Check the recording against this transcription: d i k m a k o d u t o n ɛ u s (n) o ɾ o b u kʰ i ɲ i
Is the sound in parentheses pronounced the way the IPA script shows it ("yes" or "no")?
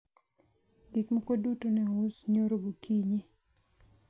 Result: no